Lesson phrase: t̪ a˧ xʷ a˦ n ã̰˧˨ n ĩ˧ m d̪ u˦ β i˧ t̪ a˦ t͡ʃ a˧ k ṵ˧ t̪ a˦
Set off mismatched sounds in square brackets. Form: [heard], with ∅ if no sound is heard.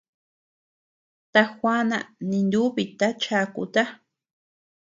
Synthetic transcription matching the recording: t̪ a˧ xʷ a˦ n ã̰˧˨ n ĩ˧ [n] d̪ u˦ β i˧ t̪ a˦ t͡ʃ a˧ k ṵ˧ t̪ a˦